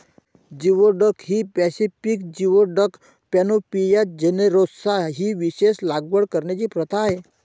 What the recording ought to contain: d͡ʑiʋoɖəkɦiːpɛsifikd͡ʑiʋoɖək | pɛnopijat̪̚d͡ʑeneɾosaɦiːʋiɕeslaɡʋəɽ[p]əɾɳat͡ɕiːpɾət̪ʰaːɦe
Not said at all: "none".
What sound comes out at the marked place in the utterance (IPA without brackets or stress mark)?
k